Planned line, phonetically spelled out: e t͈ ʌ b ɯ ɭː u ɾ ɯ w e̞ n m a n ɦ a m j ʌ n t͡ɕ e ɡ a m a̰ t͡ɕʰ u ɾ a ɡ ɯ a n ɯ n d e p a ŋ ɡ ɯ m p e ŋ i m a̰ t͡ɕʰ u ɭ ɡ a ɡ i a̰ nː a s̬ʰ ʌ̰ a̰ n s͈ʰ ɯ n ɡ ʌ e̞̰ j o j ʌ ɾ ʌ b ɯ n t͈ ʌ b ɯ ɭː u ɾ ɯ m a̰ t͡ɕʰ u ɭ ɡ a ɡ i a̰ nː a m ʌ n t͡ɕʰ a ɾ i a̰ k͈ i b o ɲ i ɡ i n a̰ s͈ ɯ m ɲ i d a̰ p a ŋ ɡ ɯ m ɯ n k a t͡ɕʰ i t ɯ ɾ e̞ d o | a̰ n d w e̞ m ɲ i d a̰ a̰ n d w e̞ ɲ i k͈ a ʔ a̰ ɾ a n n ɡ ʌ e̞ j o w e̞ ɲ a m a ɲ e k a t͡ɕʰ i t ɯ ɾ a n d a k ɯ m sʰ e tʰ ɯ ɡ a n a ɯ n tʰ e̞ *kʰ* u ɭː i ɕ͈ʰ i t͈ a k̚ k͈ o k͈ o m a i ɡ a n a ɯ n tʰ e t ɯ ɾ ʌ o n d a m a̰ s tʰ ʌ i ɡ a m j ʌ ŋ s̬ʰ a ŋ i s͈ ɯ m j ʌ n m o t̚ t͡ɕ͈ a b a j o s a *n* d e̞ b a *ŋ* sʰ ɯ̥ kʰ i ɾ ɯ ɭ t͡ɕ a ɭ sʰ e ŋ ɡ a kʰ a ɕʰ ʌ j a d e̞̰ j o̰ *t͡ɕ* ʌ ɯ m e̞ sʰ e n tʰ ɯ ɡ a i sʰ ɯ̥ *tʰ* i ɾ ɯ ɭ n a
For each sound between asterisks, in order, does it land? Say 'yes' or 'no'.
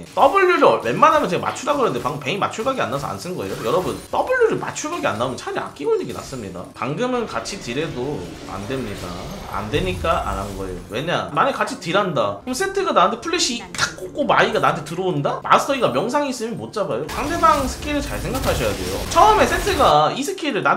no, no, yes, no, no

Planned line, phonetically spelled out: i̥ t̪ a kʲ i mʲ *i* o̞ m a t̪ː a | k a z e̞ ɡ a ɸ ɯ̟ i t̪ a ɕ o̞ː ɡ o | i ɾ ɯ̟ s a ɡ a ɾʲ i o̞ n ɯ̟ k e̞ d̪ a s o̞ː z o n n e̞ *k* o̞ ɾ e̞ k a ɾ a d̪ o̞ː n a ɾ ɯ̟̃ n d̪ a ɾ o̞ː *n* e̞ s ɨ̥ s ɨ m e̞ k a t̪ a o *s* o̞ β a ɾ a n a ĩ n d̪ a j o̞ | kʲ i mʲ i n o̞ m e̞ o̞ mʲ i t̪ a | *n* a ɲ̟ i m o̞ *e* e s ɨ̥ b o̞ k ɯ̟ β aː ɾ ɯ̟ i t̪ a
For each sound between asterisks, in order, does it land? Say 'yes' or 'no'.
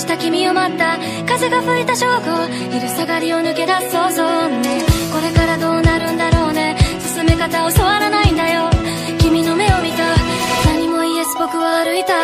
yes, yes, yes, yes, yes, no

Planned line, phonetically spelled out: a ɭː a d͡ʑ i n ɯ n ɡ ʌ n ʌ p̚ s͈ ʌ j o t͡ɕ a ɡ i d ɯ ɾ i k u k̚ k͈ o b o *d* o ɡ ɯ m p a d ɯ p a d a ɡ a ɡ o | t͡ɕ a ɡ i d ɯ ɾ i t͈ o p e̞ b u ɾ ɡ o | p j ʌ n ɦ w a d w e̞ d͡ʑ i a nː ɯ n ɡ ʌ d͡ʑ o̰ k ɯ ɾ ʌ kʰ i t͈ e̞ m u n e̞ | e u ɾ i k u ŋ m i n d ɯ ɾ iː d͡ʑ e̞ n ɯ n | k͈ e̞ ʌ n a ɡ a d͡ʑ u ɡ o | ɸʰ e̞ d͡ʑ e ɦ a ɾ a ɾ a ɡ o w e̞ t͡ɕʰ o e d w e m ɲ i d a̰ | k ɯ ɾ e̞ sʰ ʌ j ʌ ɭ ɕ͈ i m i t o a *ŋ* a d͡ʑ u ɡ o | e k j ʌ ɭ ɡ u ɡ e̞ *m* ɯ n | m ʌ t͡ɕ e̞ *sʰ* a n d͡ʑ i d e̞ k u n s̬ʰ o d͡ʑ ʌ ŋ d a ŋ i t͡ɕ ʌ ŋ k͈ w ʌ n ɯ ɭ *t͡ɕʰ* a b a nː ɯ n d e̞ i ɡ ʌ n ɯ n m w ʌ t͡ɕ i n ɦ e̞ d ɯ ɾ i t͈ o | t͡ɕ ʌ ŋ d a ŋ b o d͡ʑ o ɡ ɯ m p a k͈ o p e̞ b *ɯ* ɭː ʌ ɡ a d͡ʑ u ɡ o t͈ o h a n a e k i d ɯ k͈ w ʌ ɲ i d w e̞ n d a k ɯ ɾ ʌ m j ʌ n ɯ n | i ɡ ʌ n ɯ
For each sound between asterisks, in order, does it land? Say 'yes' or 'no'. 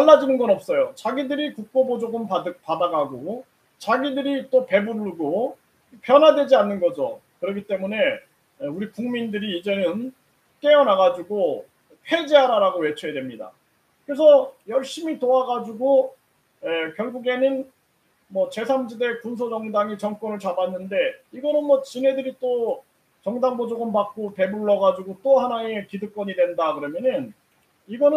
no, no, no, yes, no, no

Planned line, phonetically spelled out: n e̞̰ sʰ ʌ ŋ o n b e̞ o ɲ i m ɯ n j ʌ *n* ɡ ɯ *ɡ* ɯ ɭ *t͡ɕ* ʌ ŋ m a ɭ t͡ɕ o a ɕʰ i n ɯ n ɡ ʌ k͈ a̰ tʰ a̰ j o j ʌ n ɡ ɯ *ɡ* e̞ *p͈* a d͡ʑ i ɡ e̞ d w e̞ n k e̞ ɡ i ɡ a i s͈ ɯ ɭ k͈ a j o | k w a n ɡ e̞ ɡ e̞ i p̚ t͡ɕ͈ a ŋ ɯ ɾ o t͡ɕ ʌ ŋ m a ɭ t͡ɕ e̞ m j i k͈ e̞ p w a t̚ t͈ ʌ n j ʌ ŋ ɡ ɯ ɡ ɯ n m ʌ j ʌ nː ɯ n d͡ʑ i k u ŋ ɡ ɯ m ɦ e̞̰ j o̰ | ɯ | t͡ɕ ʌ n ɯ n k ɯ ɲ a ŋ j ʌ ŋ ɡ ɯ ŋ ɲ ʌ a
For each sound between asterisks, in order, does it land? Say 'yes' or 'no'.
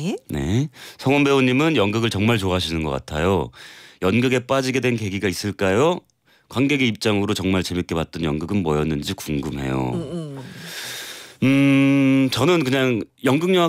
no, yes, yes, yes, yes

